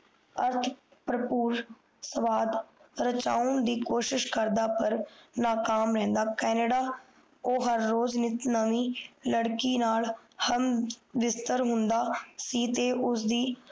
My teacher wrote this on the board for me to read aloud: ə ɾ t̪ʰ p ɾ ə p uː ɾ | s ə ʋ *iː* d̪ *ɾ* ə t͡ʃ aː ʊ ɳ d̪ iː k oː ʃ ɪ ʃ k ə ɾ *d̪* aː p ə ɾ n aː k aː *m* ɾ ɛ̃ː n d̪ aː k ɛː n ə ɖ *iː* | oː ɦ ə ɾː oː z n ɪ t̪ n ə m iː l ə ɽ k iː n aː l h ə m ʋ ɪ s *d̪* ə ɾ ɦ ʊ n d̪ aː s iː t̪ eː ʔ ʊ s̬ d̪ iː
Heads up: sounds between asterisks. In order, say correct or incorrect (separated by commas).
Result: incorrect, correct, correct, correct, incorrect, incorrect